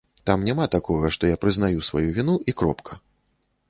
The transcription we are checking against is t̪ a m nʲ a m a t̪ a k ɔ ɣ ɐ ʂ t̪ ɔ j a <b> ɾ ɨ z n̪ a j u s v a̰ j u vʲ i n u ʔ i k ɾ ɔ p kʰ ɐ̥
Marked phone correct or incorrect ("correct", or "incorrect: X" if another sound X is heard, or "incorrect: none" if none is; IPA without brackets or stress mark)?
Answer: incorrect: p